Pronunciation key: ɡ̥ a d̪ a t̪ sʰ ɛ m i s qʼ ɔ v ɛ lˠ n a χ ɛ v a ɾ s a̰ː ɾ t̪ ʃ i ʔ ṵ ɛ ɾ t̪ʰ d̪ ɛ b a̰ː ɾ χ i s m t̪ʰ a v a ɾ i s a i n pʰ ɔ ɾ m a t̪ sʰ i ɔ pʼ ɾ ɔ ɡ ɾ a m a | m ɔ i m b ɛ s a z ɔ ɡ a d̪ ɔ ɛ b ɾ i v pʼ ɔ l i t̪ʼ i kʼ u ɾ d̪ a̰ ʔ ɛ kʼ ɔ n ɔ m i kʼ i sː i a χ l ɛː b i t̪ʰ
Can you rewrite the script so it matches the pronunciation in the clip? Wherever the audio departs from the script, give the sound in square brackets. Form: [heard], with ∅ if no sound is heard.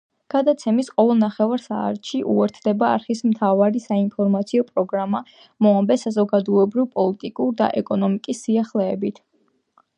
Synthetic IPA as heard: ɡ̥ a d̪ a t̪ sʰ ɛ m i s qʼ ɔ v ɛ lˠ n a χ ɛ v a ɾ s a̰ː ɾ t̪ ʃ i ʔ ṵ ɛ ɾ t̪ʰ d̪ ɛ b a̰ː ɾ χ i s m t̪ʰ a v a ɾ i s a i n pʰ ɔ ɾ m a t̪ sʰ i ɔ pʼ ɾ ɔ ɡ ɾ a m a | m ɔ [a] m b ɛ s a z ɔ ɡ a d̪ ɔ ɛ b ɾ i v pʼ ɔ l i t̪ʼ i kʼ u ɾ d̪ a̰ ʔ ɛ kʼ ɔ n ɔ m i kʼ i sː i a χ l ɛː b i t̪ʰ